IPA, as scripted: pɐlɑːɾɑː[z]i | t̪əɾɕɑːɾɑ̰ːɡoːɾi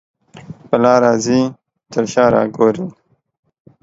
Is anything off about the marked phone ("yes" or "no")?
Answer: no